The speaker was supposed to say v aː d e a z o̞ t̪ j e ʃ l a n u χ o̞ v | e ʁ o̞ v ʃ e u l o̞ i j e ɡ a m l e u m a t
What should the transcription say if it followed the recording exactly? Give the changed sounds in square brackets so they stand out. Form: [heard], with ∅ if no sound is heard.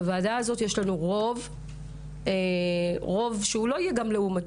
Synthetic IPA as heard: v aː d [a] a z o̞ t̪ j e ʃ l a n u [ʁ] o̞ v | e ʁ o̞ v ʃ e u l o̞ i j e ɡ a m l e u m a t